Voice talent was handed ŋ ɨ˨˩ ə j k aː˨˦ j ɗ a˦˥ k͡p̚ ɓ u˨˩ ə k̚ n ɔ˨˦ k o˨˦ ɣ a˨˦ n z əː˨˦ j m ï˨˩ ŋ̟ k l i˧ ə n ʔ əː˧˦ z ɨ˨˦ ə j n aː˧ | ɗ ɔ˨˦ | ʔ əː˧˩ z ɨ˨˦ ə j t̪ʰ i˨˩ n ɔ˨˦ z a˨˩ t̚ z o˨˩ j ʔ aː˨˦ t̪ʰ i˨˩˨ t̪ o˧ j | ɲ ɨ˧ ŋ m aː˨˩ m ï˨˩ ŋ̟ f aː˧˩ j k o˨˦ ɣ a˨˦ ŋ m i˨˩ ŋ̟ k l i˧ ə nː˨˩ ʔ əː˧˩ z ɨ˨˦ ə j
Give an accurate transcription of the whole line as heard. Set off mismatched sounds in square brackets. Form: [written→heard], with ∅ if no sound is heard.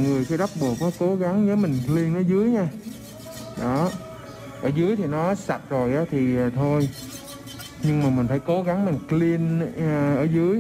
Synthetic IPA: ŋ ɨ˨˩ ə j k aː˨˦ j ɗ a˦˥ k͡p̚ ɓ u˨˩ ə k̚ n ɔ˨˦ k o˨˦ ɣ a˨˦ [n→ŋ] z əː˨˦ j m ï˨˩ ŋ̟ k l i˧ ə n ʔ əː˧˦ z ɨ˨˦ ə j [n→ɲ] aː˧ | ɗ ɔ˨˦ | ʔ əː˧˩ z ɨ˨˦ ə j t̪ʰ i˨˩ n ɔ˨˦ [z→s] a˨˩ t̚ z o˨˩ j ʔ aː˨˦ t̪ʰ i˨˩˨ [t̪→t̪ʰ] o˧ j | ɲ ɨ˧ ŋ m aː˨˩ m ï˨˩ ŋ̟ f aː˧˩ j k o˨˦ ɣ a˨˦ ŋ m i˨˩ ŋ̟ k l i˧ ə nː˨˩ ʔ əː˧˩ z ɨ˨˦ ə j